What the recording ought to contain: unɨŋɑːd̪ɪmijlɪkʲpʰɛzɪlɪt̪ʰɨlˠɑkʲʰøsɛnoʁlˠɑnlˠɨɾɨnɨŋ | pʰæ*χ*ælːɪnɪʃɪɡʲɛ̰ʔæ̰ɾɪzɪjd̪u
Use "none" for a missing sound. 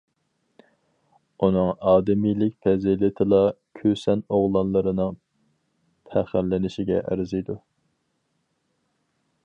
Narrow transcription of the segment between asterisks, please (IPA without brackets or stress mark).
χ